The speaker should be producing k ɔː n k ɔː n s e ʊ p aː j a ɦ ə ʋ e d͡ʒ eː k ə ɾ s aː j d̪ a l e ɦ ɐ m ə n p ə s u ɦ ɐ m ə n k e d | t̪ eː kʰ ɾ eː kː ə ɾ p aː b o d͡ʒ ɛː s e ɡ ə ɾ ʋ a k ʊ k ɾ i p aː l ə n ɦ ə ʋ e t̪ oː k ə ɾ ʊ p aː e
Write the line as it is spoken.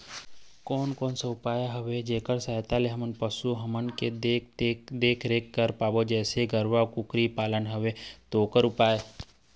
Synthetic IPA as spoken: k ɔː n k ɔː n s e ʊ p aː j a ɦ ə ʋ e d͡ʒ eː k ə ɾ s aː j t̪ a l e ɦ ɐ m ə n p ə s u ɦ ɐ m ə n k e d | d̪ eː kʰ ɾ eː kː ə ɾ p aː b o d͡ʒ ɛː s e ɡ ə ɾ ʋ a k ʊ k ɾ i p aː l ə n ɦ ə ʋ e t̪ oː k ə ɾ ʊ p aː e